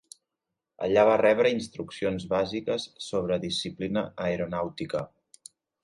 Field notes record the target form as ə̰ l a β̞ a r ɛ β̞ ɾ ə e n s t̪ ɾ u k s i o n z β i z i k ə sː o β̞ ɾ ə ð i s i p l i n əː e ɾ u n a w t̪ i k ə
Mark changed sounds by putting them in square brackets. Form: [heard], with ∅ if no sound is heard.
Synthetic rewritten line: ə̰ [ʎ] a β̞ a r ɛ β̞ ɾ ə [i] n s t̪ ɾ u k s i o n z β [a] z i k ə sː o β̞ ɾ ə ð i s i p l i n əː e ɾ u n a w t̪ i k ə